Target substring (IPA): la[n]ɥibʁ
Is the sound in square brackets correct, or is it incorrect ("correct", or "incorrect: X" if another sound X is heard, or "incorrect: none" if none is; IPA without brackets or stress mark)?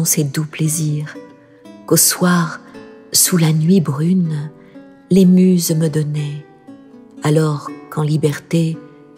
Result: correct